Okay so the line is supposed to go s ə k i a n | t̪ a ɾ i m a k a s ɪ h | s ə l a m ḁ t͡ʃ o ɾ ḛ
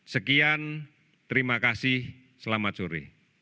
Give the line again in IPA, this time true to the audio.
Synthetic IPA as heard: s ə k i a n | t̪ ə ɾ i m a k a s ɪ h | s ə l a m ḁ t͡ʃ o ɾ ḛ